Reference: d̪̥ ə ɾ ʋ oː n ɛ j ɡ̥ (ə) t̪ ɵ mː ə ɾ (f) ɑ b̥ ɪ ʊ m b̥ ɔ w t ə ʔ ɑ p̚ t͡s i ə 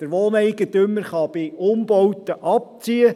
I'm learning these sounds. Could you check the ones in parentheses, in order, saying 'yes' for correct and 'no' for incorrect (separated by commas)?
yes, no